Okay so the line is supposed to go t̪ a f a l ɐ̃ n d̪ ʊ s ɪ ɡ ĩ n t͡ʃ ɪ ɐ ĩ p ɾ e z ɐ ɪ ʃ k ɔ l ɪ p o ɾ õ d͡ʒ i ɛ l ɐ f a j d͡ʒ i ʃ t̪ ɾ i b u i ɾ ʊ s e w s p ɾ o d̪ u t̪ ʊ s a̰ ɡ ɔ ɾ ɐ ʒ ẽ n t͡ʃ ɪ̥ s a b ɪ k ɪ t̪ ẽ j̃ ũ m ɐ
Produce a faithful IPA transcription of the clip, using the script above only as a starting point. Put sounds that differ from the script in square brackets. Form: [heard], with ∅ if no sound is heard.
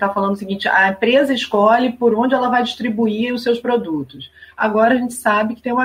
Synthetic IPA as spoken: t̪ a f a l ɐ̃ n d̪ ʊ s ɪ ɡ ĩ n t͡ʃ ɪ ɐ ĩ p ɾ e z ɐ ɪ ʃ k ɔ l ɪ p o ɾ õ d͡ʒ [ɪ] ɛ l ɐ [v] a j d͡ʒ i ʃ t̪ ɾ i b u i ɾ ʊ s e w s p ɾ o d̪ u t̪ ʊ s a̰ ɡ ɔ ɾ ɐ ʒ ẽ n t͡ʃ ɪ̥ s a b ɪ k ɪ t̪ ẽ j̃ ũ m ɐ